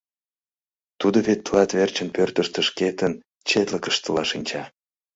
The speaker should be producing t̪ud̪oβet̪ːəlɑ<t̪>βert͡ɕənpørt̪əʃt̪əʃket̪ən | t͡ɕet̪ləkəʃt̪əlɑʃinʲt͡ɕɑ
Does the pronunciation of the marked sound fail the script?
no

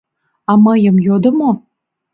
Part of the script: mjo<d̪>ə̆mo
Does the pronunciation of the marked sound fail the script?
no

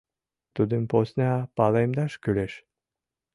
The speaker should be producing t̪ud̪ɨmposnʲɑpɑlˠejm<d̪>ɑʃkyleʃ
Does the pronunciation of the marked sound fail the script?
no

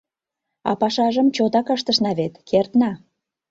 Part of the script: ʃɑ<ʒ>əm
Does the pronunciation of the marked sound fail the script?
no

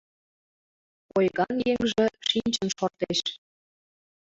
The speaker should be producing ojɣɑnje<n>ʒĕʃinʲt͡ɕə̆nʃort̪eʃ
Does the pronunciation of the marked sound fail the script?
yes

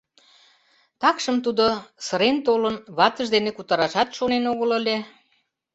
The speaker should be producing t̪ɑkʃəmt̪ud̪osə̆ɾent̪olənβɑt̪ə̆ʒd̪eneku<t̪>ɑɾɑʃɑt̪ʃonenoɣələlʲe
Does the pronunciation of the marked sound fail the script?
no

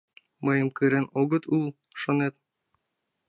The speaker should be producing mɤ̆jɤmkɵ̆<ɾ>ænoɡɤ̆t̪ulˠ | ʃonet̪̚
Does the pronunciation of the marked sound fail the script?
no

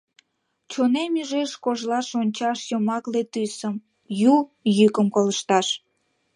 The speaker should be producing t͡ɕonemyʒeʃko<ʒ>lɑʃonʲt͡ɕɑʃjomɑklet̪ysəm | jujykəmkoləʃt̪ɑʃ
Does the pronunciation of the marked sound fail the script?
no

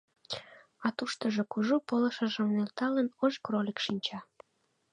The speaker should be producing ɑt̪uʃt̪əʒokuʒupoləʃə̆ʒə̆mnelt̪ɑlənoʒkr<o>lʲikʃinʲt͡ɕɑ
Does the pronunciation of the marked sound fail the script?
no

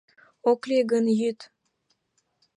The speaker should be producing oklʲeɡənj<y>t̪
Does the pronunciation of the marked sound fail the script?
no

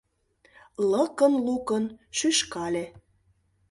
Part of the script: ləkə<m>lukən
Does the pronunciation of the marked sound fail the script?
yes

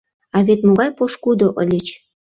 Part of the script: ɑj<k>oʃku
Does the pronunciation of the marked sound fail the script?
yes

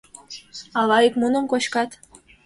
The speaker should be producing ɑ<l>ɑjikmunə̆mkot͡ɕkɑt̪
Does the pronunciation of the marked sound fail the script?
no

